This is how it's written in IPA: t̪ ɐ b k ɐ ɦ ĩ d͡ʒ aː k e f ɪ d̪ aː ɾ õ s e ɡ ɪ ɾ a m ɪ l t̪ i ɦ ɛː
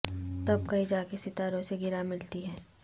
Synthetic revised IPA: t̪ ɐ b k ɐ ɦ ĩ d͡ʒ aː k e s ɪ t̪ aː ɾ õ s e ɡ ɪ ɾ a m ɪ l t̪ i ɦ ɛː